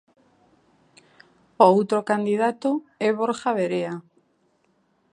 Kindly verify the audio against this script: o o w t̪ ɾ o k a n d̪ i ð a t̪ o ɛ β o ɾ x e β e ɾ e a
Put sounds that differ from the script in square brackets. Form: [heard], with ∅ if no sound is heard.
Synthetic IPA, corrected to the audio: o o w t̪ ɾ o k a n d̪ i ð a t̪ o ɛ β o ɾ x [a] β e ɾ e a